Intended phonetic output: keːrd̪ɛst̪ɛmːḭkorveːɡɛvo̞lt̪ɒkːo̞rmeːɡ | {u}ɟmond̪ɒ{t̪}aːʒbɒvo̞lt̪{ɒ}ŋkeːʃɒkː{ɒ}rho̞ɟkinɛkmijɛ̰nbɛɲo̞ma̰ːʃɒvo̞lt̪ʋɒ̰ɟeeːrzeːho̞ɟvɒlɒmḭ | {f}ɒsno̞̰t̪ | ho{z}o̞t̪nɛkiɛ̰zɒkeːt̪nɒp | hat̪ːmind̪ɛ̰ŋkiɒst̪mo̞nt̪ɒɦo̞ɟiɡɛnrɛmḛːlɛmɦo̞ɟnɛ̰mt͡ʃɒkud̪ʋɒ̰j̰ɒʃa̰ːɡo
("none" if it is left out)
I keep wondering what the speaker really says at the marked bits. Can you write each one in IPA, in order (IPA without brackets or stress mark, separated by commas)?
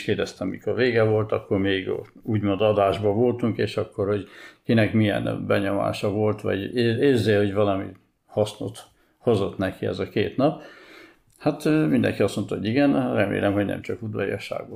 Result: uː, d̪, u, o, h, z